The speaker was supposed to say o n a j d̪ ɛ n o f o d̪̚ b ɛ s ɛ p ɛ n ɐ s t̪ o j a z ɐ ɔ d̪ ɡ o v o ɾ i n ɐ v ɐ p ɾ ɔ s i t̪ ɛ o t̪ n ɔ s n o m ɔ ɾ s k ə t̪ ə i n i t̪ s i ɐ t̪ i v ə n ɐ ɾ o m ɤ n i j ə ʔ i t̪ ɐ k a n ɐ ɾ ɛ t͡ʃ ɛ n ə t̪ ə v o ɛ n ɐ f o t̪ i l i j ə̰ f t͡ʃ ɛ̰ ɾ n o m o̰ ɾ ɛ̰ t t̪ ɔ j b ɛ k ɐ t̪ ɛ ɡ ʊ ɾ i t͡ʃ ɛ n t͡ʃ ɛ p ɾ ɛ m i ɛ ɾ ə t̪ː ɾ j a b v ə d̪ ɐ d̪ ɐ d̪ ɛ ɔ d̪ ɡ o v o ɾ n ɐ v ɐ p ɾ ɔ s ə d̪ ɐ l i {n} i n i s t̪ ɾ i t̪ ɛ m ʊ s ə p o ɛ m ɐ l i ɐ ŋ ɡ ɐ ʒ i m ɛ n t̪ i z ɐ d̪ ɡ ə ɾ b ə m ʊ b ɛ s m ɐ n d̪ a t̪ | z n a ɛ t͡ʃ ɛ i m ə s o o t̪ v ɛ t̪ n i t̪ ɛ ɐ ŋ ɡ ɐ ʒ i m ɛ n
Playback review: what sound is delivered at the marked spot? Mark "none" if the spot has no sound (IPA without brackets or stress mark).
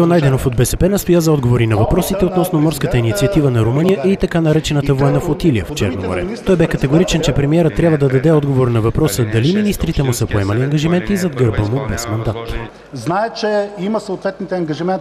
m